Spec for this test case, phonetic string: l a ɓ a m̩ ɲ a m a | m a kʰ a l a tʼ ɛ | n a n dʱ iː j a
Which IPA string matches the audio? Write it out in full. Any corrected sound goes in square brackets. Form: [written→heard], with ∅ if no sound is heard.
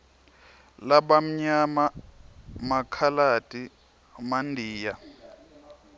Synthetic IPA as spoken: l a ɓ a m̩ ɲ a m a | m a kʰ a l a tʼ [ɛ→i] | [n→m] a n dʱ iː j a